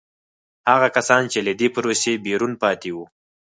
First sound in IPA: h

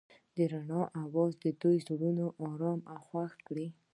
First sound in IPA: d̪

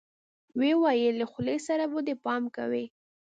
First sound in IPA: w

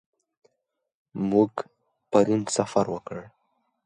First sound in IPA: m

